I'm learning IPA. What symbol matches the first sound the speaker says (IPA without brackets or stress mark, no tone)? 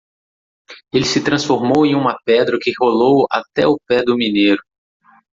e